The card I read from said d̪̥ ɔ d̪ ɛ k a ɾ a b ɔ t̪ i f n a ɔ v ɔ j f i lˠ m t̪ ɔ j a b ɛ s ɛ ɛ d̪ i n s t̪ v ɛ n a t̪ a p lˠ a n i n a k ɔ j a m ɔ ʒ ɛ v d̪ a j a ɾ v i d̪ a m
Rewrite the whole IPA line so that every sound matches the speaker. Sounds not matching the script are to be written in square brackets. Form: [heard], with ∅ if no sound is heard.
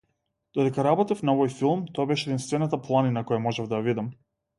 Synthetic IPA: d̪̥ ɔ d̪ ɛ k a ɾ a b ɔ t̪ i f n a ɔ v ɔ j f i lˠ m t̪ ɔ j a b ɛ [ʃ] ɛ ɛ d̪ i n s t̪ v ɛ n a t̪ a p lˠ a n i n a k ɔ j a m ɔ ʒ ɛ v d̪ a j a [∅] v i d̪ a m